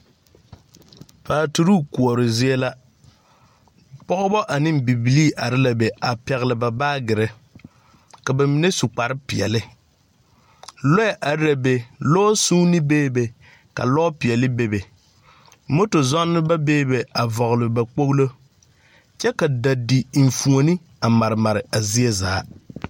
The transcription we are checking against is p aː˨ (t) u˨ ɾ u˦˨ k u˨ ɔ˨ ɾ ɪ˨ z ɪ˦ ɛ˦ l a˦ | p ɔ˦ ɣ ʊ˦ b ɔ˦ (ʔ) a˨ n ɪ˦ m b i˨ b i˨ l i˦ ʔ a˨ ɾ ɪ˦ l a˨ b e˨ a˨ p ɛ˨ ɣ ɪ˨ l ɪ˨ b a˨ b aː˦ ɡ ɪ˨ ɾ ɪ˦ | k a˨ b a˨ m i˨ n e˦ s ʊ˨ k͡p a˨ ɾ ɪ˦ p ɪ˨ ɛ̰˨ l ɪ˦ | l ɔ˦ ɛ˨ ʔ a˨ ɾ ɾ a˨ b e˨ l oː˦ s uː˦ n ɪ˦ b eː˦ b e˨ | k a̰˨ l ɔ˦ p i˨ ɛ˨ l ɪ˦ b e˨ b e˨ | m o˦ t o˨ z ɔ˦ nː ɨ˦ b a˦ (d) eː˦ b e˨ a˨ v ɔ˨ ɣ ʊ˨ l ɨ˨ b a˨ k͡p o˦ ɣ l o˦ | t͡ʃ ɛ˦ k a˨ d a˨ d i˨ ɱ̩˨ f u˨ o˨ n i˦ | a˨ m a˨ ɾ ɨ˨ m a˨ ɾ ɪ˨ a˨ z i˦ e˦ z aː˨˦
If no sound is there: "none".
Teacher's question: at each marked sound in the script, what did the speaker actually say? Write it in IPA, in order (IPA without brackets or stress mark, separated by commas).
t, ʔ, b